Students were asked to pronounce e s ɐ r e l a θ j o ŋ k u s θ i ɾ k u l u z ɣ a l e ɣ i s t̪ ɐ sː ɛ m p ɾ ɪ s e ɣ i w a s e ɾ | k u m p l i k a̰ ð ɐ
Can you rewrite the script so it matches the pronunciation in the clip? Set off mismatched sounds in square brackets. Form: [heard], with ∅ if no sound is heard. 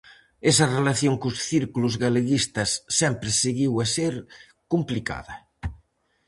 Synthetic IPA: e s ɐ r e l a θ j o ŋ k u s θ i ɾ k u l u z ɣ a l e ɣ i s t̪ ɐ sː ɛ m p ɾ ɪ s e ɣ i w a s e ɾ | k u m p l i k a̰ ð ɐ